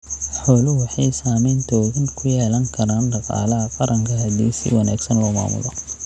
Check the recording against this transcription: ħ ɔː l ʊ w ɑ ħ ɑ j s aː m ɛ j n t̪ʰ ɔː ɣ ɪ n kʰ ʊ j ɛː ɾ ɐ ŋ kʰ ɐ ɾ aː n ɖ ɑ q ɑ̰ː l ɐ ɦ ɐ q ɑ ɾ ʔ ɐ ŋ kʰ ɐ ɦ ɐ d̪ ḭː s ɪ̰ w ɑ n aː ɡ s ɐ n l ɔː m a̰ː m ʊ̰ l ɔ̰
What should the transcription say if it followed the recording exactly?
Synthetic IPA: ħ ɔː l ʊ w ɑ ħ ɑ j s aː m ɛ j n t̪ʰ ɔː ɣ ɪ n kʰ ʊ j ɛː l ɐ ŋ kʰ ɐ ɾ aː n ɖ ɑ q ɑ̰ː l ɐ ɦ ɐ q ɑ ɾ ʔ ɐ ŋ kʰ ɐ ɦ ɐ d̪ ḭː s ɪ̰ w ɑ n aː ɡ s ɐ n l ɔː m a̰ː m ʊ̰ l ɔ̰